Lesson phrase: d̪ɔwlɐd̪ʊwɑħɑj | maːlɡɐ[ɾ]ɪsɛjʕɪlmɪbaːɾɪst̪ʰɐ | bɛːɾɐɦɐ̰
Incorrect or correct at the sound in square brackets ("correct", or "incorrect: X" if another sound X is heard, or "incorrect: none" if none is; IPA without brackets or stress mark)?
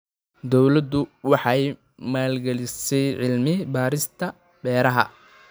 incorrect: l